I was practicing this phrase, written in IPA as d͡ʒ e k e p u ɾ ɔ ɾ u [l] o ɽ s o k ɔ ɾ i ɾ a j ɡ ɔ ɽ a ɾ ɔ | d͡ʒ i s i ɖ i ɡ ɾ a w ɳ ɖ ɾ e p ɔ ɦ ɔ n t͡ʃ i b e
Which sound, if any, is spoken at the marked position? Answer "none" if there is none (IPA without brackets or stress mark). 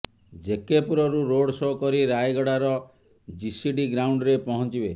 ɾ